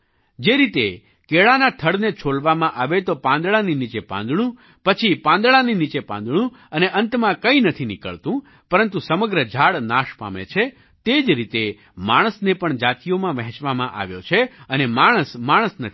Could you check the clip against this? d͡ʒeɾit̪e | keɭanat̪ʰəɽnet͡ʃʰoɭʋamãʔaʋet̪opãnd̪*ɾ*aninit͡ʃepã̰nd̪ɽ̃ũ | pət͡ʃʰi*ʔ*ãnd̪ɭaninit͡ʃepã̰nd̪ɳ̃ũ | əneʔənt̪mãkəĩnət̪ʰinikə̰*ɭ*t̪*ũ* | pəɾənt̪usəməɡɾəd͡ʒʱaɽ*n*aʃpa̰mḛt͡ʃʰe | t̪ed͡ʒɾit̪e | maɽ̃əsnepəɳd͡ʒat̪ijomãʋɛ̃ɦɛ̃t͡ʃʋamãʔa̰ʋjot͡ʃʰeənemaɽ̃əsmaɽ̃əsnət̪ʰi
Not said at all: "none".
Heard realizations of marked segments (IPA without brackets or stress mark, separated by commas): ɭ, p, ɭ, ũ, n